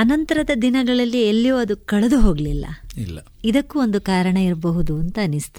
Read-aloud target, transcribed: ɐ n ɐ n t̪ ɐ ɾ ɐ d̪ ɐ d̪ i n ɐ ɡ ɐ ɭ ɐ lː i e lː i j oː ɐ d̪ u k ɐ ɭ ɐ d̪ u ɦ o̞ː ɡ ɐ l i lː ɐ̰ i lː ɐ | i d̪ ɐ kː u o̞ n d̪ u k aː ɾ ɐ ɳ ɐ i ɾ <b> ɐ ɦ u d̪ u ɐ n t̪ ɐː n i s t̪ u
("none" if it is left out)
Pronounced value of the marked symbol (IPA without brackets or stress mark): b